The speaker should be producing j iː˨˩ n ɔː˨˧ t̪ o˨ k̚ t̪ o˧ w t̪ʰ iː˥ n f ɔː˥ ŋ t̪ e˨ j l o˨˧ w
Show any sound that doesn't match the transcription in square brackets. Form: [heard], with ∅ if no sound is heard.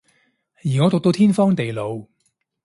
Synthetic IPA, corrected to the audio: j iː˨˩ [ŋ] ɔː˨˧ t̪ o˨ k̚ t̪ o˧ w t̪ʰ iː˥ n f ɔː˥ ŋ t̪ e˨ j l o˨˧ w

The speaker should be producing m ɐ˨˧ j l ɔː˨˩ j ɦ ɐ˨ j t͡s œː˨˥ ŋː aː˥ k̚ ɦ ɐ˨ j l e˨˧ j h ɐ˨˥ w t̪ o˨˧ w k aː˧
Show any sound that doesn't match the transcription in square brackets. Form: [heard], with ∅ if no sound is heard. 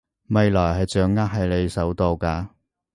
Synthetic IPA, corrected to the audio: m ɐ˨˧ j l ɔː˨˩ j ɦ ɐ˨ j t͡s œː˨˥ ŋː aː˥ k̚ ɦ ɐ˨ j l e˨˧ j [s] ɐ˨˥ w t̪ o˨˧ w k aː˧

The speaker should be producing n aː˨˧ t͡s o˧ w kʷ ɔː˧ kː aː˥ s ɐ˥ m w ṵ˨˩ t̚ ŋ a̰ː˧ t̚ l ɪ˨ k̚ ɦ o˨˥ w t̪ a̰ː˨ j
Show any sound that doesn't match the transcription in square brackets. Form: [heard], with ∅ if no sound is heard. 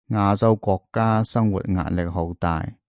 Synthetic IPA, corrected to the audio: [ŋ] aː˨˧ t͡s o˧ w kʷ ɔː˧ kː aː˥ s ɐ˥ [ŋ] w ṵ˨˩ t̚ ŋ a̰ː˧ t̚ l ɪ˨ k̚ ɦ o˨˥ w t̪ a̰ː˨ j

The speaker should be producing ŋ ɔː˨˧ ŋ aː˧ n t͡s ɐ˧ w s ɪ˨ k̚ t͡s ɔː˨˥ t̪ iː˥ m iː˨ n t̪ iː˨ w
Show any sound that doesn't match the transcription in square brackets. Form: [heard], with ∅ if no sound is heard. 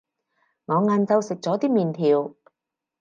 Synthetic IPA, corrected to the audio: ŋ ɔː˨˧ ŋ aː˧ n t͡s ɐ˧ w s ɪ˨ k̚ t͡s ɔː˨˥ t̪ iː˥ m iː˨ n [t̪ʰ] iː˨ w

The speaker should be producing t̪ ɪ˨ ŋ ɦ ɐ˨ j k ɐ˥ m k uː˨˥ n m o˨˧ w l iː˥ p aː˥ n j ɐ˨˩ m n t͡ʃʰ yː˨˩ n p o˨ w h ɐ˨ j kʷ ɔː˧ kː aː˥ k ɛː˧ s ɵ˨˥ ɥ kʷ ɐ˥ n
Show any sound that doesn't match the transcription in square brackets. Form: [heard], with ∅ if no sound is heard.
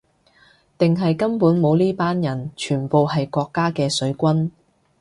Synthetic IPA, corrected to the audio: t̪ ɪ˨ ŋ ɦ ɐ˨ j k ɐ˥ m [p] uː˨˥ n m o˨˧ w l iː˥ p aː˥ n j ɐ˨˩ [∅] n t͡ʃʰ yː˨˩ n p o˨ w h ɐ˨ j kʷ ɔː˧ kː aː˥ k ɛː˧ s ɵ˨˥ ɥ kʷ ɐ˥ n

